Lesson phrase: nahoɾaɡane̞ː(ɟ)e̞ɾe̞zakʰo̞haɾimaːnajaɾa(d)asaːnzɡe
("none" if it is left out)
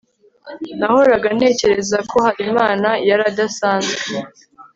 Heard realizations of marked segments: c, d

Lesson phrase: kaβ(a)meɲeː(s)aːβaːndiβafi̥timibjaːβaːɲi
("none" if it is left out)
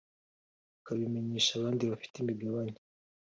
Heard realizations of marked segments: i, ʃ

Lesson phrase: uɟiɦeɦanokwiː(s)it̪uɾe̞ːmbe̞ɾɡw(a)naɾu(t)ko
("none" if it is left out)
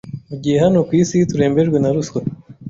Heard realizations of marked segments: s, e, s

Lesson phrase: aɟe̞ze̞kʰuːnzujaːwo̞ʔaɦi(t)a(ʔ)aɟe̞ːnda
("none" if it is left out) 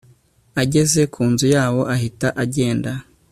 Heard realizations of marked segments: t, ʔ

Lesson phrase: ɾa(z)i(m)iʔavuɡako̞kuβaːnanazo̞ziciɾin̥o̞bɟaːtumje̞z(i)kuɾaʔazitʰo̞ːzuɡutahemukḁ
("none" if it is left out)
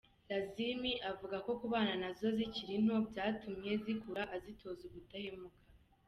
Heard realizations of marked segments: z, m, i

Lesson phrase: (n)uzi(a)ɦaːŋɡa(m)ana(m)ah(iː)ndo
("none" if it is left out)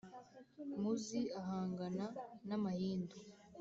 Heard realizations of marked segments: m, a, n, m, iː

